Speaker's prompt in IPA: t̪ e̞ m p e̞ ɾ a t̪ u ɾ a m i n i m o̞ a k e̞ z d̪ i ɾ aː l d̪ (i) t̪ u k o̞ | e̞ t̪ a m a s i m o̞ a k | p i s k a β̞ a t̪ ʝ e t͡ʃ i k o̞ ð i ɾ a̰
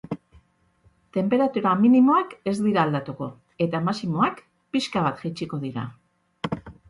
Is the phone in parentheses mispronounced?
yes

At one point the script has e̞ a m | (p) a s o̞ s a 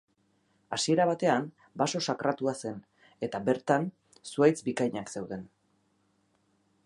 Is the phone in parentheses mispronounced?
yes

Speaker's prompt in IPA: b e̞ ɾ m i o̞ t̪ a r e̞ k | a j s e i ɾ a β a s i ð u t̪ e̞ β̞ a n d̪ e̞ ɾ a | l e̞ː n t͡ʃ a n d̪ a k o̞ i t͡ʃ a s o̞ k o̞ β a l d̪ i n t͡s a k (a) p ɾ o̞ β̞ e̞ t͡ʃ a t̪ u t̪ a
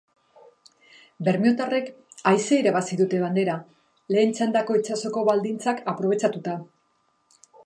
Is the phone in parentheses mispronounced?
no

